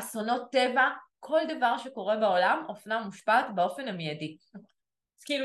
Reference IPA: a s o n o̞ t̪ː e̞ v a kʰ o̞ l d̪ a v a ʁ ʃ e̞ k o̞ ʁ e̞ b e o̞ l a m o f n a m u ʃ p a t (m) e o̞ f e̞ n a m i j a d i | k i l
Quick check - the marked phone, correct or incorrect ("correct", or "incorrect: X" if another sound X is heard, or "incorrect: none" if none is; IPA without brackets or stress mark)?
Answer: incorrect: b